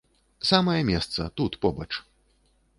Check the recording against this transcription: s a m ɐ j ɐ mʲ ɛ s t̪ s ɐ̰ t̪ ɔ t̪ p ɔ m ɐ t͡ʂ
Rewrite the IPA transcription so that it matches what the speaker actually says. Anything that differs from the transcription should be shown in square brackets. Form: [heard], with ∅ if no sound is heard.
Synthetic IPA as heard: s a m ɐ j ɐ mʲ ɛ s t̪ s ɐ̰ t̪ [u] t̪ p ɔ [b] ɐ t͡ʂ